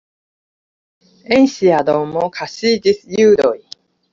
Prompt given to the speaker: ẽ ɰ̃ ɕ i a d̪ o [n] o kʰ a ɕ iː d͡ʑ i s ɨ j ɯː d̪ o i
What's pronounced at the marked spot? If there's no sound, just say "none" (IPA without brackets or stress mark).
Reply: m